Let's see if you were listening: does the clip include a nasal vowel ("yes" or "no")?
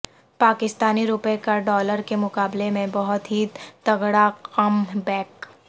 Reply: yes